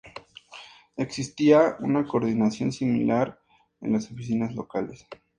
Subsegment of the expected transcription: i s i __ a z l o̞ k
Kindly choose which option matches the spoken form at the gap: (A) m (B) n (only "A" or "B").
B